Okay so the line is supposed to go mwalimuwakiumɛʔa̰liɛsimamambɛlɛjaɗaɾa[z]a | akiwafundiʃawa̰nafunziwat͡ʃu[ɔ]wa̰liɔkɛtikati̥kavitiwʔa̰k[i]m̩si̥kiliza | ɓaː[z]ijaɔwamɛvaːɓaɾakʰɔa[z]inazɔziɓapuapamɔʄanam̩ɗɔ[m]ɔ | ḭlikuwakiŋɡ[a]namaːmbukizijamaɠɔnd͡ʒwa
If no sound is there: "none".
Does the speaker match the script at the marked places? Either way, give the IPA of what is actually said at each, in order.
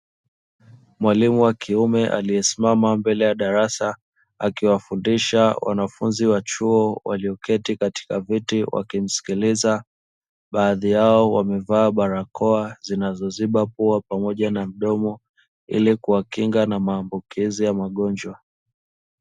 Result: s, ɔ, i, ð, z, m, a

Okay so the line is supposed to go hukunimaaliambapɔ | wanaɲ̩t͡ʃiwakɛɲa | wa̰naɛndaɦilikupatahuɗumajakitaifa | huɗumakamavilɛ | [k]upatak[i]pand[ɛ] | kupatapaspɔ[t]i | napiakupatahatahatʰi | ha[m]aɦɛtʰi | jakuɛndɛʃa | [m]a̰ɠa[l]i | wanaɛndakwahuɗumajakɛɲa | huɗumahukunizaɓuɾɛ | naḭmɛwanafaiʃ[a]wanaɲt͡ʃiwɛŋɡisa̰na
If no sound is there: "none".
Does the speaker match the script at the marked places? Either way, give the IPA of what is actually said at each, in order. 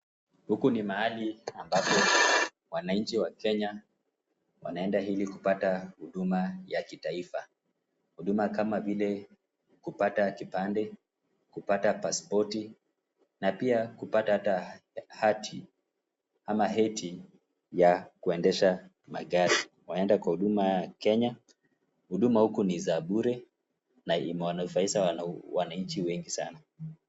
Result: k, i, ɛ, t, m, m, ɾ, a

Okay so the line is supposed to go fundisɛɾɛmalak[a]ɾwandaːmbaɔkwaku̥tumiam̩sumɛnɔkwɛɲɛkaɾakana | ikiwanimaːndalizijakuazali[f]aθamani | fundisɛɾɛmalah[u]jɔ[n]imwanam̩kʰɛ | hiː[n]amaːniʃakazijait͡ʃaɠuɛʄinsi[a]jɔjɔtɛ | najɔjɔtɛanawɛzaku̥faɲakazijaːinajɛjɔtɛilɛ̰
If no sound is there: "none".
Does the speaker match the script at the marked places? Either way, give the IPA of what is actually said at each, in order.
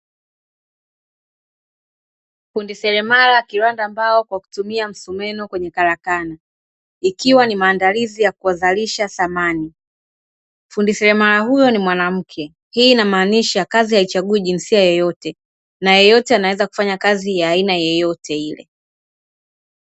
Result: i, ʃ, u, n, n, a

